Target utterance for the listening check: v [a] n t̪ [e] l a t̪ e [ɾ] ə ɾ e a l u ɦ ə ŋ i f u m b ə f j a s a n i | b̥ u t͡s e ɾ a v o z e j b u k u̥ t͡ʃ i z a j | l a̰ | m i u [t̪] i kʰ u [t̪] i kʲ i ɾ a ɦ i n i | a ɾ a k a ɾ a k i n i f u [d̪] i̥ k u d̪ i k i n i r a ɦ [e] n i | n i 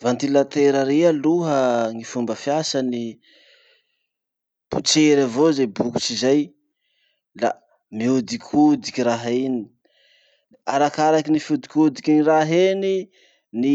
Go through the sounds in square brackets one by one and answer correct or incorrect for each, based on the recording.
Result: correct, incorrect: i, correct, incorrect: d̪, incorrect: d̪, correct, correct

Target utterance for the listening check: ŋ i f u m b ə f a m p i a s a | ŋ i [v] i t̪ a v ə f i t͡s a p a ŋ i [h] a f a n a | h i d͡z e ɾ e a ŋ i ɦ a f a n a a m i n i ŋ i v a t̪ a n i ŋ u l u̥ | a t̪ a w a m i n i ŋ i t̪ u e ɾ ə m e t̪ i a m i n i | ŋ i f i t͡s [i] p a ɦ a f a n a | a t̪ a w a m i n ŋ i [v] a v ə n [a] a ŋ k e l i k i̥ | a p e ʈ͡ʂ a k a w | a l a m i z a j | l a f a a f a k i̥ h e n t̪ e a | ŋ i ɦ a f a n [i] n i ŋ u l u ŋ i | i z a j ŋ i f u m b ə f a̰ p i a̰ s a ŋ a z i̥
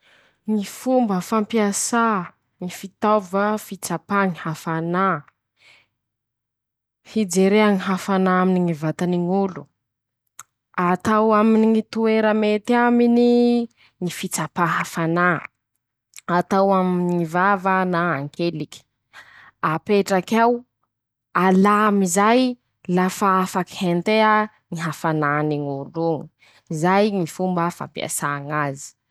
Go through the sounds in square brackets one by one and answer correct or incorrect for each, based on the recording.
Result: incorrect: f, correct, incorrect: a, correct, correct, incorrect: a

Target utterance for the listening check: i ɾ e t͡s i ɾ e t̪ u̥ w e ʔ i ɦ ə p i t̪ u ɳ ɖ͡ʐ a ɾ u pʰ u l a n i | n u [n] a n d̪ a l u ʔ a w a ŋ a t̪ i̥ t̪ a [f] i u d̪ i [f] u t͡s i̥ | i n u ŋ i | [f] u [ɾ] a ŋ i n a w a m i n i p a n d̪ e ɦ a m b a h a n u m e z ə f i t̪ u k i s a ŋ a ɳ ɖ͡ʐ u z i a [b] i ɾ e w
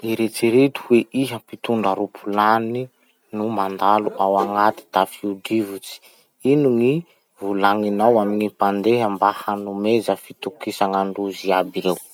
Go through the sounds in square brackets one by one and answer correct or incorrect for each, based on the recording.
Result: incorrect: m, correct, incorrect: v, incorrect: v, incorrect: l, correct

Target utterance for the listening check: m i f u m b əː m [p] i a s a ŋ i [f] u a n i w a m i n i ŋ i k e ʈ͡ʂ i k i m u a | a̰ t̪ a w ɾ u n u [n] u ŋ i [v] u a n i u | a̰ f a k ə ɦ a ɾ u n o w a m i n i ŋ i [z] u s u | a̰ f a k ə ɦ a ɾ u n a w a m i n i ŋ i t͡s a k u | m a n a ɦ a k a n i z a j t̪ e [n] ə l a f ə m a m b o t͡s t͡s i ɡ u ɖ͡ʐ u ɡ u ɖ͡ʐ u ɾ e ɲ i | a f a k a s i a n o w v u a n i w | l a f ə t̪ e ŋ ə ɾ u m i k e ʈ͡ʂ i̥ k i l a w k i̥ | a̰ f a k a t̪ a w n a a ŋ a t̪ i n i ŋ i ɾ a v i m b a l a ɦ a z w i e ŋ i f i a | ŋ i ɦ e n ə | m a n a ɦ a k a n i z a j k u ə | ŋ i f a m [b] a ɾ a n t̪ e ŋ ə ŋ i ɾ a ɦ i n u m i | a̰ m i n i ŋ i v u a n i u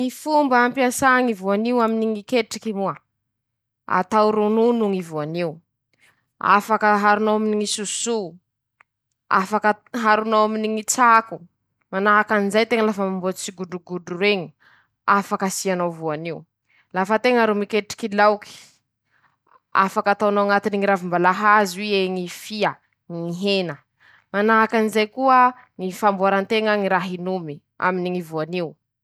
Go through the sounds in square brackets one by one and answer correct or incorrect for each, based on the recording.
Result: correct, incorrect: v, correct, correct, incorrect: s, incorrect: ŋ, correct

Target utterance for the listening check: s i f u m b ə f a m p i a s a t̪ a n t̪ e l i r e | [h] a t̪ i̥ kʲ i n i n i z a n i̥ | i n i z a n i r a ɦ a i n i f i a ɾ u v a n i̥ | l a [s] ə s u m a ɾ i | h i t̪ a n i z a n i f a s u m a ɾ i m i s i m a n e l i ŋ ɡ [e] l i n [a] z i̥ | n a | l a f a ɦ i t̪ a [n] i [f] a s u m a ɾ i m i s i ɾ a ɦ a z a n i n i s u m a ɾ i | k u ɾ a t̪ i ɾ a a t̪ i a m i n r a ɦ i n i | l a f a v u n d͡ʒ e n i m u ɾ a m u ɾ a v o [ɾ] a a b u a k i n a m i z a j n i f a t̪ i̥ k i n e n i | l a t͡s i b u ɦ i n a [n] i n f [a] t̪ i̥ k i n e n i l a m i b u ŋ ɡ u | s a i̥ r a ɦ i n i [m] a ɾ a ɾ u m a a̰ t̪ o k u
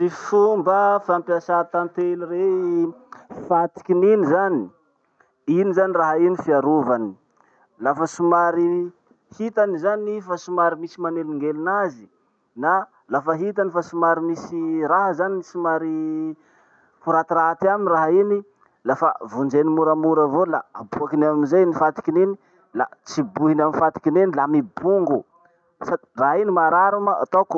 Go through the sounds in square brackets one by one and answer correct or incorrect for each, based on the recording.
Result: incorrect: f, incorrect: f, correct, correct, correct, correct, incorrect: l, incorrect: m, correct, correct

